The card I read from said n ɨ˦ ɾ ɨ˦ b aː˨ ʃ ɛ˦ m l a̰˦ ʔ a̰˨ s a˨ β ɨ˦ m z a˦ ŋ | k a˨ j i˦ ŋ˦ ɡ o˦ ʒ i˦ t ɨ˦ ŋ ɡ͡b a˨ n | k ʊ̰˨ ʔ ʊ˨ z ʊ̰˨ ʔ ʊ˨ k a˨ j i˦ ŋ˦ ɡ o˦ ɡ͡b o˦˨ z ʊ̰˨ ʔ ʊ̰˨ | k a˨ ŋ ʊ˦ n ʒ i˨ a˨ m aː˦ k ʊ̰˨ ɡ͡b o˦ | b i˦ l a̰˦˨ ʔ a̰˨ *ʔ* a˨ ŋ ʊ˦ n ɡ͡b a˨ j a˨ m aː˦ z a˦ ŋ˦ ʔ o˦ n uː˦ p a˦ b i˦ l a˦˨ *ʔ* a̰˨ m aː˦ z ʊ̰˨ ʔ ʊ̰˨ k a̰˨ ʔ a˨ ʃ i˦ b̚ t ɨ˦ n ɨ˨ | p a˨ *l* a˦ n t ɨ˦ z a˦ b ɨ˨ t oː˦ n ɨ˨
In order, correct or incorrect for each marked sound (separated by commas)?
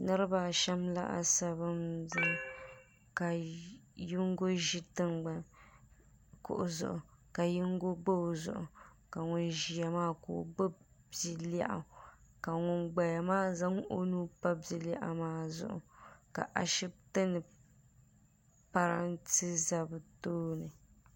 incorrect, correct, incorrect